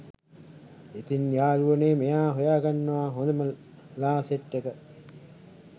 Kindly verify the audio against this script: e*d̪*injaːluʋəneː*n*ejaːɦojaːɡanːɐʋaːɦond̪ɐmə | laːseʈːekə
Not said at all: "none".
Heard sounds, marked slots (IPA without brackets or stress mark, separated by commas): t̪, m